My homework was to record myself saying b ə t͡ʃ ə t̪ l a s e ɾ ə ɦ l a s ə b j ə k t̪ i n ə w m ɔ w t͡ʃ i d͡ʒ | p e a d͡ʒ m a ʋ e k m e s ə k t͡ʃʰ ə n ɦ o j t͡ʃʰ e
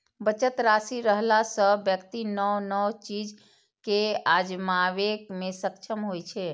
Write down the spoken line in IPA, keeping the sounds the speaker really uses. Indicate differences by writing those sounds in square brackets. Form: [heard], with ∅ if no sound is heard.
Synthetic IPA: b ə t͡ʃ ə t̪ [ɾ] a s [i] ɾ ə ɦ l a s ə b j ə k t̪ i n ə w [n] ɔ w t͡ʃ i d͡ʒ | [k] e a d͡ʒ m a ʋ e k m e s ə k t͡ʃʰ ə [m] ɦ o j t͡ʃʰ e